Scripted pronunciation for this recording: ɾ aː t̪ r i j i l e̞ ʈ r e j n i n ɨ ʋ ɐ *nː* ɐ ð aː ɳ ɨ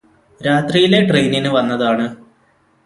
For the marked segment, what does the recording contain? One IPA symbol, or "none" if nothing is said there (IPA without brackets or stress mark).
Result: nː